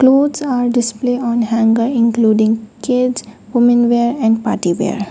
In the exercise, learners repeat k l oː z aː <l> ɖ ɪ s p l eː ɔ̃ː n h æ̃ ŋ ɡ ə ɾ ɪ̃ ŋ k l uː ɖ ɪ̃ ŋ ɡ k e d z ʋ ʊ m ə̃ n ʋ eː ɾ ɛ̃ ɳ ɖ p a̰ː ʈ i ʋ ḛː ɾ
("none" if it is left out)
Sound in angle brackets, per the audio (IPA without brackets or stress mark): ɾ